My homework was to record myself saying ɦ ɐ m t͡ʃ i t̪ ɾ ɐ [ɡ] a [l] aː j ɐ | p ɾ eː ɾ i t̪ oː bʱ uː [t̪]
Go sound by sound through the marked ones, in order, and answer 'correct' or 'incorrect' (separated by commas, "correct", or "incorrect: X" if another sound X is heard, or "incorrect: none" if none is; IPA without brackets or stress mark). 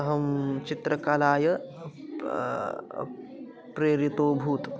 incorrect: k, correct, correct